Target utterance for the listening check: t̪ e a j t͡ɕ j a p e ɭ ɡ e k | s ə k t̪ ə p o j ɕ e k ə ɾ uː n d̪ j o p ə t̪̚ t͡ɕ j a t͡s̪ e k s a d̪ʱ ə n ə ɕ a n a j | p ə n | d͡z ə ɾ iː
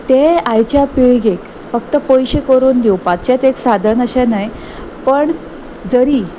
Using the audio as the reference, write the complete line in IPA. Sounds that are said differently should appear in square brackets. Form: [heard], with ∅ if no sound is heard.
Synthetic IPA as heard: t̪ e a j t͡ɕ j a p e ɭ ɡ e k | [f] ə k t̪ ə p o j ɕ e k ə ɾ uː n d̪ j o p [a] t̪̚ t͡ɕ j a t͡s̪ e k s a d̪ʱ ə n ə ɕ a n a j | p ə [ɳ] | d͡z ə ɾ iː

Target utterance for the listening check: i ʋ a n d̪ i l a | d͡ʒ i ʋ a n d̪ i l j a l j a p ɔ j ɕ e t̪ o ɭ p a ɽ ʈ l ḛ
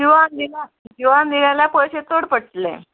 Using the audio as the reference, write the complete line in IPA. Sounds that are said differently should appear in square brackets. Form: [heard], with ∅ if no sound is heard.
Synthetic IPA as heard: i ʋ a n d̪ i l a | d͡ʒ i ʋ a n d̪ i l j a l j a p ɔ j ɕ e t̪ o [ɽ] p [ə] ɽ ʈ l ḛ

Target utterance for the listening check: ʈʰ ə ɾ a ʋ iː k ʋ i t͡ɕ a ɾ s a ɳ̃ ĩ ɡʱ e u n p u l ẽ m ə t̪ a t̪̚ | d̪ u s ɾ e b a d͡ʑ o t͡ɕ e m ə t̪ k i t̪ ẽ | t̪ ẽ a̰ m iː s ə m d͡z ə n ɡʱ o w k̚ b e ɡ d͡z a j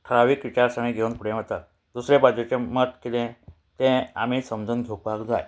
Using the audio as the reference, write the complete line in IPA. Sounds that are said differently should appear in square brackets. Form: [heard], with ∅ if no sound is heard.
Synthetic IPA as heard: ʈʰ ə ɾ a ʋ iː k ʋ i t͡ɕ a ɾ s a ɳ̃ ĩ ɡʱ e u n p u [ɽ] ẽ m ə t̪ a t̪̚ | d̪ u s ɾ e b a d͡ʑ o t͡ɕ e m ə t̪ k i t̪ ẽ | t̪ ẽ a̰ m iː s ə m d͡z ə n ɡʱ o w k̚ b [a] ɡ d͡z a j

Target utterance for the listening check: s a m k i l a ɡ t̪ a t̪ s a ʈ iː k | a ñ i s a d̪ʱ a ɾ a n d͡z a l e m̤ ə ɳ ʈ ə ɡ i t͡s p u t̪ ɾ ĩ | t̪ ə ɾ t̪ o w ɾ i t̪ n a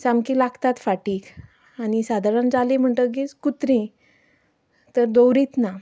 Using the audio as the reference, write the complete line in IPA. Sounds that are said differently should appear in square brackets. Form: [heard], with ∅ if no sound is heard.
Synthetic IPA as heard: s a m k i l a ɡ t̪ a t̪ [f] a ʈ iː k | a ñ i s a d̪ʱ a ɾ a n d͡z a l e m̤ ə ɳ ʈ ə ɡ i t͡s [k] u t̪ ɾ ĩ | t̪ ə ɾ [d̪] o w ɾ i t̪ n a

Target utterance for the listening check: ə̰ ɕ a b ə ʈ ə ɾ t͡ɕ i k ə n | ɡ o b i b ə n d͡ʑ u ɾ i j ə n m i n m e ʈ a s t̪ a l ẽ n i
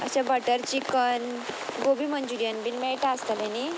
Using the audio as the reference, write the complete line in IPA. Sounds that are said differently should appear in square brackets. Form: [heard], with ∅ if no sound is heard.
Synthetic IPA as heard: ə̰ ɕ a b ə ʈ ə ɾ t͡ɕ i k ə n | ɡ o b i [m] ə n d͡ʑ u ɾ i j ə n [b] i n m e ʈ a s t̪ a l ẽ n i

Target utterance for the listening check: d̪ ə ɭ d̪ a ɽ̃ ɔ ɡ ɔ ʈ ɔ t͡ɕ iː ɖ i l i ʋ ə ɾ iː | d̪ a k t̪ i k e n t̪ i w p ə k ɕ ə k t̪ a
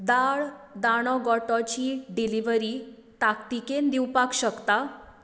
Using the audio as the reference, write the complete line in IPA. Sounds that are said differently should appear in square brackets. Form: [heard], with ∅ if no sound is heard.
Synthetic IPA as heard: d̪ [a] ɭ d̪ a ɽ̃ ɔ ɡ ɔ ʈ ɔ t͡ɕ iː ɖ i l i ʋ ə ɾ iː | [t̪] a k t̪ i k e n [d̪] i w p [a] k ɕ ə k t̪ a

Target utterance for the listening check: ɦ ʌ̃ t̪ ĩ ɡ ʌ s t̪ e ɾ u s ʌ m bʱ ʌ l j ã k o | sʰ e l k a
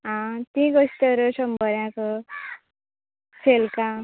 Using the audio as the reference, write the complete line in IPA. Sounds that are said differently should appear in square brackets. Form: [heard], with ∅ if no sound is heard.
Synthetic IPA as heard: ɦ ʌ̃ t̪ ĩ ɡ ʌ s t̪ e ɾ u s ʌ m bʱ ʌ [ɾ] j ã k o | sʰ e l k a

